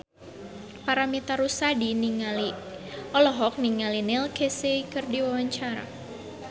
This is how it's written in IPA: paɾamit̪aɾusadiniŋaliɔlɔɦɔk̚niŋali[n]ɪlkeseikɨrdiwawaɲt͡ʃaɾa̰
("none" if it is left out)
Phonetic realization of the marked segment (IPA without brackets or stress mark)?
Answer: n